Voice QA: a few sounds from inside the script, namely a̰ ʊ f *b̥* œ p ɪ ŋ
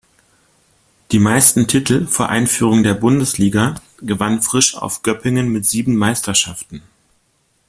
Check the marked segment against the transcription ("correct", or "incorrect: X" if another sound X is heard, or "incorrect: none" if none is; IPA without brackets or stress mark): incorrect: ɡ̥